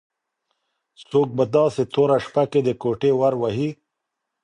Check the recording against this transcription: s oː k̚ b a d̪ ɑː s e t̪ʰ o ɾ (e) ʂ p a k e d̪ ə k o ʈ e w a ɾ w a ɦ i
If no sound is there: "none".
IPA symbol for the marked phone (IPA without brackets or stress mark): a